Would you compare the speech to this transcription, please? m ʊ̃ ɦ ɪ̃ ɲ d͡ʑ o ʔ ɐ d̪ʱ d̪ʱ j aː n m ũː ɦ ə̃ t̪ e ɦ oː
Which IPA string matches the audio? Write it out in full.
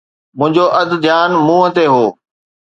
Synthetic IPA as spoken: m ʊ̃ ɦ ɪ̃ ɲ d͡ʑ o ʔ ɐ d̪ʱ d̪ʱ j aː n m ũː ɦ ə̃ t̪ e ɦ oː